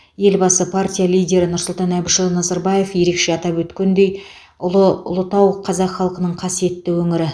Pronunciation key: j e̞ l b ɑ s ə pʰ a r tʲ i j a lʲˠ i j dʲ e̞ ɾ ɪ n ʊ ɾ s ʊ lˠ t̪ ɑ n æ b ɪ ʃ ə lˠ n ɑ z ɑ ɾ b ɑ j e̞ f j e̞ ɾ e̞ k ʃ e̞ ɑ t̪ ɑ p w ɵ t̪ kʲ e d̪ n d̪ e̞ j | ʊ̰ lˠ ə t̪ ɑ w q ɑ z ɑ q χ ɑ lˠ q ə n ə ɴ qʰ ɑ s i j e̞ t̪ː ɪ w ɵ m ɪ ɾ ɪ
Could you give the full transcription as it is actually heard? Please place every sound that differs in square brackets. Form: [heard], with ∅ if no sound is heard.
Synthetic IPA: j e̞ l b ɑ s ə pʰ a r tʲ i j a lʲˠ i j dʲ e̞ ɾ ɪ n ʊ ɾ s ʊ lˠ t̪ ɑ n æ b ɪ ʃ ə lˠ n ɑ z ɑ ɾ b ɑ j e̞ f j e̞ ɾ e̞ k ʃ e̞ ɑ t̪ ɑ p w ɵ t̪ kʲ e [∅] n d̪ e̞ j | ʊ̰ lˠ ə t̪ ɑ w [qʰ] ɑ z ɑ q χ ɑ lˠ q ə n ə ɴ qʰ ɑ s i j e̞ t̪ː ɪ w ɵ [ŋ] ɪ ɾ ɪ